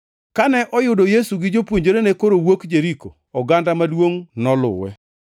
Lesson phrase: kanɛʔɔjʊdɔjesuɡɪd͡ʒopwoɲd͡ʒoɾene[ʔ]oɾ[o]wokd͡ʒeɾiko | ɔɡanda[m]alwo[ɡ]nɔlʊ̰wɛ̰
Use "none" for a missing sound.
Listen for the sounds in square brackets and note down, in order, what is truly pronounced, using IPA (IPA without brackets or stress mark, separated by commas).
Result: k, o, m, ŋ